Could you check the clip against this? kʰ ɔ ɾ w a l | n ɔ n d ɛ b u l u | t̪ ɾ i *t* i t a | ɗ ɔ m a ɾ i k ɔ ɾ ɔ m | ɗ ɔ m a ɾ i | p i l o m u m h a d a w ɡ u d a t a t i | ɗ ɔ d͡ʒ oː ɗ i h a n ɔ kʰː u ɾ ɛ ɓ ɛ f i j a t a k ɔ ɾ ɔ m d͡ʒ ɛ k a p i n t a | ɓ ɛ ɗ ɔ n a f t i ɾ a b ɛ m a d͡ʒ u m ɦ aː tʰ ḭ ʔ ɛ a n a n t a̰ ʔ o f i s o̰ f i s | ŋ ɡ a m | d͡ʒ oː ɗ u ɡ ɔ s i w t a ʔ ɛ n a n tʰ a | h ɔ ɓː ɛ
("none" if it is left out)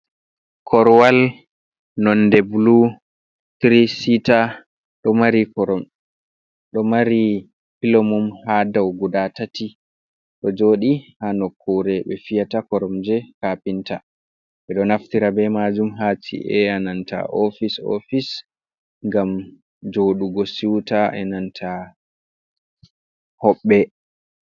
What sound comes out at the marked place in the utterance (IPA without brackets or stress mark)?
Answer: s